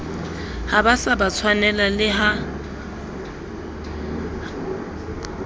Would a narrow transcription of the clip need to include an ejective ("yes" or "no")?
no